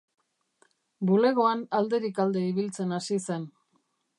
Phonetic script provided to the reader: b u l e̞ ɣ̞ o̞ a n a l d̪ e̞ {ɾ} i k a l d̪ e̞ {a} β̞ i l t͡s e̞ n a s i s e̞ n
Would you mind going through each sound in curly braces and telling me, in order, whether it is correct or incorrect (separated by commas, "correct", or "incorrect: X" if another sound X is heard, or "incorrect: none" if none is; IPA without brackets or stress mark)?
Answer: correct, incorrect: i